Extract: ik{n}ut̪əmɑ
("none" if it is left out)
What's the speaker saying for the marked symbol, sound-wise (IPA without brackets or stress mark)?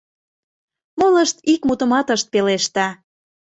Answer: m